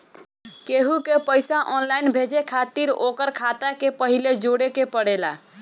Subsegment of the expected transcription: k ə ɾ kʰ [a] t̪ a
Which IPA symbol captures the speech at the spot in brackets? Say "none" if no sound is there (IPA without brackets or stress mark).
a